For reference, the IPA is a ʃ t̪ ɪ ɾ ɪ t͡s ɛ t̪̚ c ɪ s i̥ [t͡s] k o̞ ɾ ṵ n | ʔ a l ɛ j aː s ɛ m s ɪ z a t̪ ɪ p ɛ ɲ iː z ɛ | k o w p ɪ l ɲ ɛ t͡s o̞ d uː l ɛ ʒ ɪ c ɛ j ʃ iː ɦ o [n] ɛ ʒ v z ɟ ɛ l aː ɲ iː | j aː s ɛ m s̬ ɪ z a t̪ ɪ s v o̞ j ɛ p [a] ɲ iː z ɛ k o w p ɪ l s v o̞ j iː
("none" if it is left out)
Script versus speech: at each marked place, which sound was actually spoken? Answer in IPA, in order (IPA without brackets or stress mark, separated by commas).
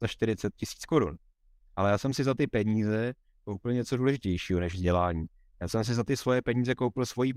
t͡s, n, ɛ